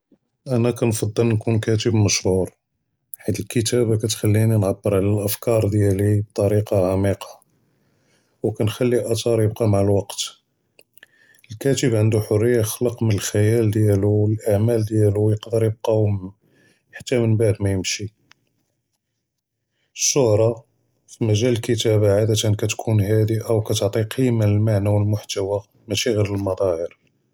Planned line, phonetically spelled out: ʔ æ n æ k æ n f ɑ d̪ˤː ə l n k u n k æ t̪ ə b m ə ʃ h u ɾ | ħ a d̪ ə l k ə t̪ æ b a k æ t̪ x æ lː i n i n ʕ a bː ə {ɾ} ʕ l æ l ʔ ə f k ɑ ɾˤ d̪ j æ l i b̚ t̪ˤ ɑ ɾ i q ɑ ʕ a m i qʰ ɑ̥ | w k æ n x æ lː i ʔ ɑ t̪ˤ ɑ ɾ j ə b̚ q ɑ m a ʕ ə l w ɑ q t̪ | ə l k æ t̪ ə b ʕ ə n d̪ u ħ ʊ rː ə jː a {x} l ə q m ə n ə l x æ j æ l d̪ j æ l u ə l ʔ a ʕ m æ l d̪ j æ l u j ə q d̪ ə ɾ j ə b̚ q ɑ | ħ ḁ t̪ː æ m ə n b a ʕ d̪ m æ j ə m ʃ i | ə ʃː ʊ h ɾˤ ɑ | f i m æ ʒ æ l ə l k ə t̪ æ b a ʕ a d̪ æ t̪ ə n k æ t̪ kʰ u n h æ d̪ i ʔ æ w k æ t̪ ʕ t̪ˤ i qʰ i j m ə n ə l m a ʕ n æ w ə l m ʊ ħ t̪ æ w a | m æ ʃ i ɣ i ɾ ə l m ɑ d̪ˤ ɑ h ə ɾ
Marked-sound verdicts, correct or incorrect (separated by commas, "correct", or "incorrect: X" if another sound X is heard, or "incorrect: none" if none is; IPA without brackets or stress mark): correct, correct